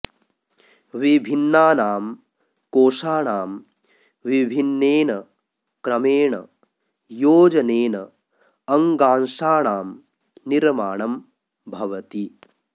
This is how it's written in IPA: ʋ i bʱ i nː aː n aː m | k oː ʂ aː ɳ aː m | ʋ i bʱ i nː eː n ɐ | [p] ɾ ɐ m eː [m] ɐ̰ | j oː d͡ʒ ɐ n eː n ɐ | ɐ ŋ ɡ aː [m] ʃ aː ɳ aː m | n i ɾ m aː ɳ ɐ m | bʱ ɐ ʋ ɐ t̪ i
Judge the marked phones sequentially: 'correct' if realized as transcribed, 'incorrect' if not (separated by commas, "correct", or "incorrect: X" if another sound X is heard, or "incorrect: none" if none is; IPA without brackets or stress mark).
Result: incorrect: k, incorrect: ɳ, incorrect: n